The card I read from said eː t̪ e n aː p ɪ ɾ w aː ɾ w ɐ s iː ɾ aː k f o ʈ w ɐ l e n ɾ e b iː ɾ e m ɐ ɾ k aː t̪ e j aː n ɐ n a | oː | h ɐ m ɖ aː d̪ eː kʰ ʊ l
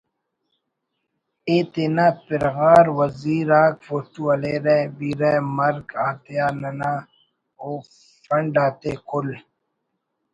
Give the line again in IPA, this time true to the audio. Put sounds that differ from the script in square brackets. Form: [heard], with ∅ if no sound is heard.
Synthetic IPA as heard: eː t̪ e n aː p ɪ ɾ [ɣ] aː ɾ w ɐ [z] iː ɾ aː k f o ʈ [u] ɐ l e [∅] ɾ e b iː ɾ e m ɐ ɾ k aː t̪ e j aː n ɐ n a | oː | [f] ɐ [ɳ] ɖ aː [t̪] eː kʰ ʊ l